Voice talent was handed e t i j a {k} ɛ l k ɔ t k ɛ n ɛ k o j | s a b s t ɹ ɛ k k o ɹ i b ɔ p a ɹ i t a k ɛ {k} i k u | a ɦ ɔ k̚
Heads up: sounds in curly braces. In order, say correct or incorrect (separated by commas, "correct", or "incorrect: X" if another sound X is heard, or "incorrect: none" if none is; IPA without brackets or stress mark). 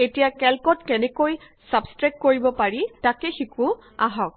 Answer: correct, incorrect: x